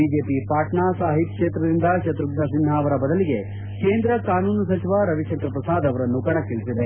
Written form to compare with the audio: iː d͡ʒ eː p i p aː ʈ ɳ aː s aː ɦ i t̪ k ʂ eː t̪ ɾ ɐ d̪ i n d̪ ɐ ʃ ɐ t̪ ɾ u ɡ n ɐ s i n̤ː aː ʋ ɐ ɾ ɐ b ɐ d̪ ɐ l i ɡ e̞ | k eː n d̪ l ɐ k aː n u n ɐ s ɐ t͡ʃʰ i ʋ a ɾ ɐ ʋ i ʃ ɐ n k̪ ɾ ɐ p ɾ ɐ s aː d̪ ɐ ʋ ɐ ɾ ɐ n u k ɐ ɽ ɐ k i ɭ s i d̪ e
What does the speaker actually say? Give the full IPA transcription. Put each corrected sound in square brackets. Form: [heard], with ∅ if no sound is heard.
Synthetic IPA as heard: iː d͡ʒ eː p i p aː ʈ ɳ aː s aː ɦ i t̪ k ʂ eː t̪ ɾ ɐ d̪ i n d̪ ɐ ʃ ɐ t̪ ɾ u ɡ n ɐ s i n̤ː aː ʋ ɐ ɾ ɐ b ɐ d̪ ɐ l i ɡ e̞ | k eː n d̪ [ɾ] ɐ k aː n [uː] n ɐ s ɐ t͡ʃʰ i ʋ a ɾ ɐ ʋ i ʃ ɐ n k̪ ɾ ɐ p ɾ ɐ s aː d̪ ɐ ʋ ɐ ɾ ɐ [nː] u k ɐ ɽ ɐ k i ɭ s i d̪ e